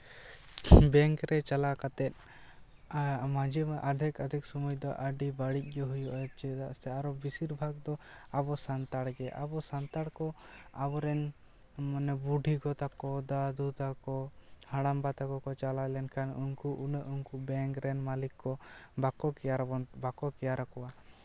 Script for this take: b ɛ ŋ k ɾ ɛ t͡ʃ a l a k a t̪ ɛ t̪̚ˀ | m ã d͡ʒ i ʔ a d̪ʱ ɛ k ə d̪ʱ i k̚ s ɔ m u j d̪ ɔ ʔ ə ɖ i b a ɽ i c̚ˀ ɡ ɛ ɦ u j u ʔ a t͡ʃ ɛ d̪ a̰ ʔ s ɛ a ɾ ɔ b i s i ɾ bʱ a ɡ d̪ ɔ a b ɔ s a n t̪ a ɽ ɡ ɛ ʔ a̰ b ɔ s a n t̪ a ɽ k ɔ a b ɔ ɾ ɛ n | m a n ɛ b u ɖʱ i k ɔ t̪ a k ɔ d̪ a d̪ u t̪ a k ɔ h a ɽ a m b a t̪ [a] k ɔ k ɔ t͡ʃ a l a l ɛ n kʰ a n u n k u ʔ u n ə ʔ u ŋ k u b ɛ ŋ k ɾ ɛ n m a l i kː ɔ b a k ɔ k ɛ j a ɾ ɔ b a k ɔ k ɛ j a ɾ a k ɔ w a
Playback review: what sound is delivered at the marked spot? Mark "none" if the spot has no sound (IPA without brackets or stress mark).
a